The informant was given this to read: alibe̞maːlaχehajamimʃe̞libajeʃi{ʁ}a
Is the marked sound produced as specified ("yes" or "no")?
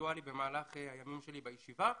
no